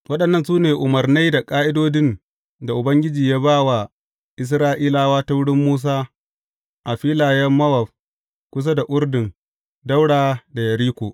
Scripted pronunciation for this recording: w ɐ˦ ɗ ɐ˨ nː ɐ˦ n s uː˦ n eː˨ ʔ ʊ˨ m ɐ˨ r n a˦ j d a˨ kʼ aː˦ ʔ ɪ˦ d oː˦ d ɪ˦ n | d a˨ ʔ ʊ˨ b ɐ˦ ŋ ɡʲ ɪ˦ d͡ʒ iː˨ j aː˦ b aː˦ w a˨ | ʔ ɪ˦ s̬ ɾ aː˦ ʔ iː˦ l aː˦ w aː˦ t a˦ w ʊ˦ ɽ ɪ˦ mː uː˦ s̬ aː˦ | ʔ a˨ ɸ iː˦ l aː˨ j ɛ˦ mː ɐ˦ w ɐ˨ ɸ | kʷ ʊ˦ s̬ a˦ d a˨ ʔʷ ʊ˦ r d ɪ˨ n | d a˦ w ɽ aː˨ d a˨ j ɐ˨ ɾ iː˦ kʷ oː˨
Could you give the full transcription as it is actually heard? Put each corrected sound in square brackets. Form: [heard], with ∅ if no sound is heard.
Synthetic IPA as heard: w ɐ˦ ɗ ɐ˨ nː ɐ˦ n s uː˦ n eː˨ ʔ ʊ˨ m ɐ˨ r n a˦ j d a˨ kʼ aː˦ ʔ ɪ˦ d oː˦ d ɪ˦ n | d a˨ ʔ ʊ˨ b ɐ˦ ŋ ɡʲ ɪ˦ d͡ʒ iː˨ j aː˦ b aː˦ w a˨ | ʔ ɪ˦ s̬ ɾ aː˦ ʔ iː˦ l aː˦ w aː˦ t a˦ w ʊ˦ ɽ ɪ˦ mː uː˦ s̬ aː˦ | ʔ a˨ ɸ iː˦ l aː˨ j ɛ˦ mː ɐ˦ w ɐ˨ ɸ | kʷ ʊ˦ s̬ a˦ d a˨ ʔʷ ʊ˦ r d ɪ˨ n | d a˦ w ɽ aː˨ d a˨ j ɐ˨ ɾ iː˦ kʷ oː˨